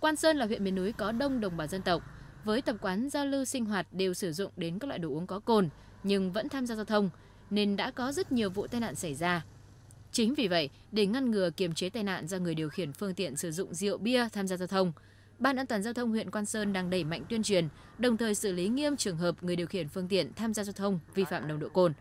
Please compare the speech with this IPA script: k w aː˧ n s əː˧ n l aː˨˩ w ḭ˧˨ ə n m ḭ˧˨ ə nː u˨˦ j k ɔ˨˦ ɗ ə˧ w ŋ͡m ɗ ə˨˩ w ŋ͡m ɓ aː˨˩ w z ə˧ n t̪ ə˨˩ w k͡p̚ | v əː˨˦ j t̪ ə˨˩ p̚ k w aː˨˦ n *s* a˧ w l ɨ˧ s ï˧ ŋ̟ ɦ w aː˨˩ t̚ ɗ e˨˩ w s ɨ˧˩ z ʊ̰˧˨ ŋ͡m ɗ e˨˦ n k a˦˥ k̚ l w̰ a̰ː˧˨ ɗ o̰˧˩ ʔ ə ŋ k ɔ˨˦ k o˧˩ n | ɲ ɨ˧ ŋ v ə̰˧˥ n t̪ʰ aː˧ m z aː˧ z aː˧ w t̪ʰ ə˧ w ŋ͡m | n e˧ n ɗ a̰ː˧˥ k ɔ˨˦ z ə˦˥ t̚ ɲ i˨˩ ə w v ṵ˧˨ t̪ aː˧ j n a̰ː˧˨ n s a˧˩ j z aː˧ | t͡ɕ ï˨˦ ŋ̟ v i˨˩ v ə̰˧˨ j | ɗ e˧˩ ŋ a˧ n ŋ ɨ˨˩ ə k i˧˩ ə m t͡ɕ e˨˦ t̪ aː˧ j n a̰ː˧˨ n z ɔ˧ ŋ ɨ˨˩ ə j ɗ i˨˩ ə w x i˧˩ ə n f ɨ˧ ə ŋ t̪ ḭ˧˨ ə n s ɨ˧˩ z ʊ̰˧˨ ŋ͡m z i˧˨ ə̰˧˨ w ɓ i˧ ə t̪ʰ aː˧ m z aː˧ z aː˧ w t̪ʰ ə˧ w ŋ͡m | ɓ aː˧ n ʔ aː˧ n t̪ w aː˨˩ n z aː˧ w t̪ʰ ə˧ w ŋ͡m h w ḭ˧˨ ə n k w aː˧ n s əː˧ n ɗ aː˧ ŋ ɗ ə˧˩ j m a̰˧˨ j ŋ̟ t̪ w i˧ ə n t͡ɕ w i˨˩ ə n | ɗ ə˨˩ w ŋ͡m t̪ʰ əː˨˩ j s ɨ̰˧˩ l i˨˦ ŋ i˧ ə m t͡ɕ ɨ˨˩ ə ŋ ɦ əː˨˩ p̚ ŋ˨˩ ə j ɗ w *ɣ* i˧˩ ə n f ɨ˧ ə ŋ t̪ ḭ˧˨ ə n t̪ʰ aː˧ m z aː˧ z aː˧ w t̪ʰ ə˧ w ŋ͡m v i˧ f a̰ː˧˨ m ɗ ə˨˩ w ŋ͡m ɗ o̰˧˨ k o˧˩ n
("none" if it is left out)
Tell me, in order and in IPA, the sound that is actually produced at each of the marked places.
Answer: z, x

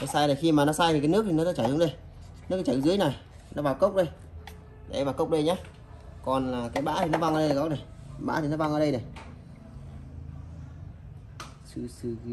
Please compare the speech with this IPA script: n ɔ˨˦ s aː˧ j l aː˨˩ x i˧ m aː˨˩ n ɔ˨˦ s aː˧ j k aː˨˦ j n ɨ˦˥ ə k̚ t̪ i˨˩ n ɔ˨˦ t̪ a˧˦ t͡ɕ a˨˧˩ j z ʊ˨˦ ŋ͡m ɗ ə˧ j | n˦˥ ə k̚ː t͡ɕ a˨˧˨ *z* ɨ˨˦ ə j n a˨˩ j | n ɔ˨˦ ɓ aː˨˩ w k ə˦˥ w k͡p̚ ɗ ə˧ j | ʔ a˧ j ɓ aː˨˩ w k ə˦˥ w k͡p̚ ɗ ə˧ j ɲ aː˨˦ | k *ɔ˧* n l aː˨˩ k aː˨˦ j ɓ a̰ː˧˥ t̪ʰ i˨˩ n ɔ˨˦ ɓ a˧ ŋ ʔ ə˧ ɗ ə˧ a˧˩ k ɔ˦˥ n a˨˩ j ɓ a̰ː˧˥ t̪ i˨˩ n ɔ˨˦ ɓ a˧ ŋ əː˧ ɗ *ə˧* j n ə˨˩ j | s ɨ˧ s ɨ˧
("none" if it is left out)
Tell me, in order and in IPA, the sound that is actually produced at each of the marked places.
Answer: z, ɔ˨˩, ə˧

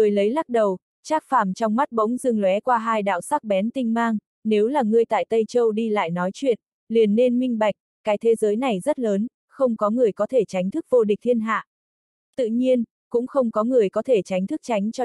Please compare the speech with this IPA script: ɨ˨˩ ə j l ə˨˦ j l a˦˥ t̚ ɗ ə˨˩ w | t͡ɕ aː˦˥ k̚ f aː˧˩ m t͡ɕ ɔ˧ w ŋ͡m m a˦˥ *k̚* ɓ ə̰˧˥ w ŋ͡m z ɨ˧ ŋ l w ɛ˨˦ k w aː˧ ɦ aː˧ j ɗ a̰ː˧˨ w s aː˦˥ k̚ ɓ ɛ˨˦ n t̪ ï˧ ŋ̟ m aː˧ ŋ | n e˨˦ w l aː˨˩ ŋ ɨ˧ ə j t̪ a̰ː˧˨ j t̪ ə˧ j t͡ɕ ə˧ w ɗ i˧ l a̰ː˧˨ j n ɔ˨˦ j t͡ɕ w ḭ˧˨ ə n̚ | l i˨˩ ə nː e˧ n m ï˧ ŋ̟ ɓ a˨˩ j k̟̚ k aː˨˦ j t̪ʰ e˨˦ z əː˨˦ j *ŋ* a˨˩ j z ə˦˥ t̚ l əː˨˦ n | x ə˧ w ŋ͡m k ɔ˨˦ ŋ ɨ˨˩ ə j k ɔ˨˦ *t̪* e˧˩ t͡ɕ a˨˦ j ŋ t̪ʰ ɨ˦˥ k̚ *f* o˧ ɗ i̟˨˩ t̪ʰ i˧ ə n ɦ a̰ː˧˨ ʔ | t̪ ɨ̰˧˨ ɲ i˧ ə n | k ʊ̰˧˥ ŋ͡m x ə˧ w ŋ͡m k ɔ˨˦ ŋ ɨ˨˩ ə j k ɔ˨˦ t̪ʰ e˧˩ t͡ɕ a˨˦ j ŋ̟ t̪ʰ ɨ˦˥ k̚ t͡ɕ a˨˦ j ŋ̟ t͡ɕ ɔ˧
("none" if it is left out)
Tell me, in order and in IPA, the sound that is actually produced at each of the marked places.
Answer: t̚, n, t̪ʰ, v

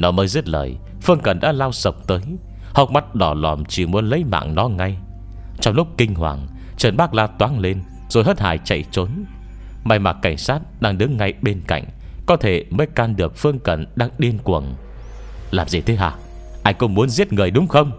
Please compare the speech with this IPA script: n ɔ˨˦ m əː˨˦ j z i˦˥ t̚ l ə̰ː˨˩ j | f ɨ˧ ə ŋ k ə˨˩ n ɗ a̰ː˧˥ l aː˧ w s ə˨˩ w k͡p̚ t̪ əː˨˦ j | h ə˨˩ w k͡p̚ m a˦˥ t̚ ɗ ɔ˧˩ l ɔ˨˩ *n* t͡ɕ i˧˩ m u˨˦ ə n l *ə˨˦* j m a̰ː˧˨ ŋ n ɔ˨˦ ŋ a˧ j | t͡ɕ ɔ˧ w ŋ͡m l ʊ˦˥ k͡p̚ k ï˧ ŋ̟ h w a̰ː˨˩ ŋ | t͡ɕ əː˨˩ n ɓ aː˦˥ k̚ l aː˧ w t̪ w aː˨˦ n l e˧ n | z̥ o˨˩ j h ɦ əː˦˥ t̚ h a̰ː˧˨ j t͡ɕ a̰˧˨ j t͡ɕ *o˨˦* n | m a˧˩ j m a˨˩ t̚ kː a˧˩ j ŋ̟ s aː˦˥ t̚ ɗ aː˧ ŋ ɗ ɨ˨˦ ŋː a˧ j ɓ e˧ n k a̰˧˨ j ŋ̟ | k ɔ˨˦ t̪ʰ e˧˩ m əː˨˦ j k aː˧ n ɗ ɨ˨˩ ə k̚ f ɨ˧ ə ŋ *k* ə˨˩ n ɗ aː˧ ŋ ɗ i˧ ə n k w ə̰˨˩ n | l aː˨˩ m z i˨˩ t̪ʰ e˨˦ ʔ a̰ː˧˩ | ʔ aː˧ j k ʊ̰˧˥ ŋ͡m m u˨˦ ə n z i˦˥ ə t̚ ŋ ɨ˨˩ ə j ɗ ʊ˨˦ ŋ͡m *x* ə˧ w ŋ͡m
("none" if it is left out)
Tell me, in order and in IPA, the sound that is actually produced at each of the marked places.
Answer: m, ə˨˦, o˨˦, k, x

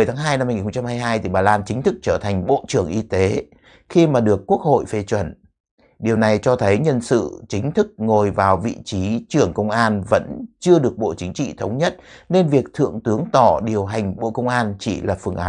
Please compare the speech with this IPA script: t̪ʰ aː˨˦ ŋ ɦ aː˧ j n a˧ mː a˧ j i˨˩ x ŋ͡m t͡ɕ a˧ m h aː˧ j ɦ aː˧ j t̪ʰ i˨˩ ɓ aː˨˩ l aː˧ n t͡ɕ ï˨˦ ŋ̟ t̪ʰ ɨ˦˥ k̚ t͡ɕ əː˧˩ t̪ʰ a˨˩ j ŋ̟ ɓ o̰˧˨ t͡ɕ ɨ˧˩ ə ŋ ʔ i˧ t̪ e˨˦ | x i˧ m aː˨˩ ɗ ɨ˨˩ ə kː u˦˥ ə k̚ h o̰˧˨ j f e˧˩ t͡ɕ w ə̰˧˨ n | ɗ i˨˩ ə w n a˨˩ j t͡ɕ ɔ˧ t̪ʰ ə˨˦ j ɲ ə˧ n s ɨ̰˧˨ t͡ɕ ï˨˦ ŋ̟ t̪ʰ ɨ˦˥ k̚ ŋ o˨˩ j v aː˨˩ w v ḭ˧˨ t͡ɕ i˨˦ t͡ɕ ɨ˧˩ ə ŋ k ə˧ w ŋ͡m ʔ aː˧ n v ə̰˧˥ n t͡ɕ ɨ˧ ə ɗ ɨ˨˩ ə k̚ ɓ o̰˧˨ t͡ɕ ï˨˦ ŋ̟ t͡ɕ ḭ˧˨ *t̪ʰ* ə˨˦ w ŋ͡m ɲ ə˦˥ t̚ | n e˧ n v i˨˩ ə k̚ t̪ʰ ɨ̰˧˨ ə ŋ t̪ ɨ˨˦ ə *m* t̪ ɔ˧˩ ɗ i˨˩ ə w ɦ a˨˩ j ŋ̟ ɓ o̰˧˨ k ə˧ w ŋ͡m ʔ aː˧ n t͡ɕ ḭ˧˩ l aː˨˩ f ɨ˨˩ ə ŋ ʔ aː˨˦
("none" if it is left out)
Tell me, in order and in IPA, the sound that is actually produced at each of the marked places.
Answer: t̪ʰ, ŋ

